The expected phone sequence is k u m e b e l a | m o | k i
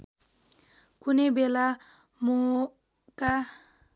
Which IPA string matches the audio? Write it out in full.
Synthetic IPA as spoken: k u n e b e l a | m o | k a